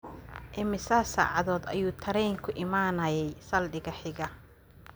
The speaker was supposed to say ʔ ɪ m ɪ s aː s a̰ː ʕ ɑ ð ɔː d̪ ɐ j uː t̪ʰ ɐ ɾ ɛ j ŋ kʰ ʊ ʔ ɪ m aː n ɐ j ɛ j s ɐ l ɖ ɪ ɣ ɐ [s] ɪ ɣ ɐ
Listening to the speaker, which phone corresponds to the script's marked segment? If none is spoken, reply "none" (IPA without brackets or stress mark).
ħ